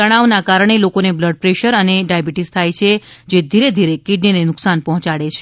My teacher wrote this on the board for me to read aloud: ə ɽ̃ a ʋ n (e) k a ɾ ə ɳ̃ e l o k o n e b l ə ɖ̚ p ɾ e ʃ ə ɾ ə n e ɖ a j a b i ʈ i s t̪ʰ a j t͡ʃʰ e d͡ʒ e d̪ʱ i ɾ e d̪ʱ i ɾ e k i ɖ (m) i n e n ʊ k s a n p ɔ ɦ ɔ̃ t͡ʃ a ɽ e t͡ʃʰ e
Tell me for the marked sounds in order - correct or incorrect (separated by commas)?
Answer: incorrect, incorrect